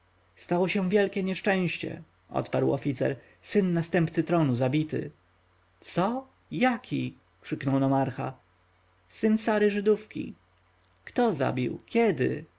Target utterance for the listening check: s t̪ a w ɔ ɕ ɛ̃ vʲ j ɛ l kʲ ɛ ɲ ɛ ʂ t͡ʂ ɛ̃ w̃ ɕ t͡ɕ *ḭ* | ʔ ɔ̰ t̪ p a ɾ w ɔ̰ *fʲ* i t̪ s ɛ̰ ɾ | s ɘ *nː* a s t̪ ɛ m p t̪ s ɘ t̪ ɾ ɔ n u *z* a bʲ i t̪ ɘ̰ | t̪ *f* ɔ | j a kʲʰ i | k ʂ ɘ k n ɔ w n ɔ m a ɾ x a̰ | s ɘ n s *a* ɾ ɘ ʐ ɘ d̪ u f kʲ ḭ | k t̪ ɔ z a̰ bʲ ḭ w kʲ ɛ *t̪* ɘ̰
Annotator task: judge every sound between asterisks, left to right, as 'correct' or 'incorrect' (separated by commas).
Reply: incorrect, correct, correct, correct, incorrect, correct, incorrect